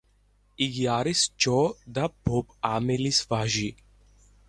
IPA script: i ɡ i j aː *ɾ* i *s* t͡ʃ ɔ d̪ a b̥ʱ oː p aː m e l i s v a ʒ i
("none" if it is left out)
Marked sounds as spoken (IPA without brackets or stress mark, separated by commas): ɾ, s